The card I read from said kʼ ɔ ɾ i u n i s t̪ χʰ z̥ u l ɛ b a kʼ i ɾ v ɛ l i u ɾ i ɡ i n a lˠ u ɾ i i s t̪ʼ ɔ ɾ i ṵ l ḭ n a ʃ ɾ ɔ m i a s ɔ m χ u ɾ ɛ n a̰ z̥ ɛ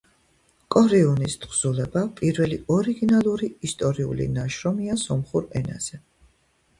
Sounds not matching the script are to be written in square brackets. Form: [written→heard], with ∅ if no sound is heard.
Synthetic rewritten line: kʼ ɔ ɾ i u n i s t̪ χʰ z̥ u l ɛ b a [kʼ→pʼ] i ɾ v ɛ l i [u→ɔ] ɾ i ɡ i n a lˠ u ɾ i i s t̪ʼ ɔ ɾ i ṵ l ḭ n a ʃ ɾ ɔ m i a s ɔ m χ u ɾ ɛ n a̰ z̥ ɛ